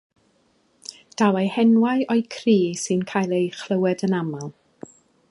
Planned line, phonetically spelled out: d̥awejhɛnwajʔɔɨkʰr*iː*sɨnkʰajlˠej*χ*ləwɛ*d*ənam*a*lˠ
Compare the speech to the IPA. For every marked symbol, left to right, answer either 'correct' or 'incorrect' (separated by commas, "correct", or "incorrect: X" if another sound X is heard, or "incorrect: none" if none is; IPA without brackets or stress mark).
correct, correct, correct, correct